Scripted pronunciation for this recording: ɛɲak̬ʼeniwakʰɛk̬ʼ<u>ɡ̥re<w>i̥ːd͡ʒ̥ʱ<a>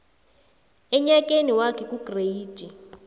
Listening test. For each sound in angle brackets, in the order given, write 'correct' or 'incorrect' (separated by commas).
correct, incorrect, incorrect